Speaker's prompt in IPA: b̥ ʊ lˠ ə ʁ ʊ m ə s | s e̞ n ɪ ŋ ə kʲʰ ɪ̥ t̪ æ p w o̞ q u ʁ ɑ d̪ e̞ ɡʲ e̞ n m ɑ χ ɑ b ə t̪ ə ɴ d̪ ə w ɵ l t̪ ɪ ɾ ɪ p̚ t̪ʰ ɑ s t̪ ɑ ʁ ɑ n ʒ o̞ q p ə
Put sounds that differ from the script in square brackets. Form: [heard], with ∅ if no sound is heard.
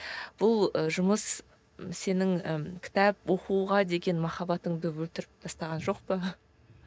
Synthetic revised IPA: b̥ ʊ lˠ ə [ʒ] ʊ m ə s | s e̞ n ɪ ŋ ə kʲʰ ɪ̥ t̪ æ p w o̞ q u ʁ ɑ d̪ e̞ ɡʲ e̞ n m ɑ χ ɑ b [ɑ] t̪ ə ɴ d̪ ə w ɵ l t̪ ɪ ɾ ɪ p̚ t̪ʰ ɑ s t̪ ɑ ʁ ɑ n ʒ o̞ q p ə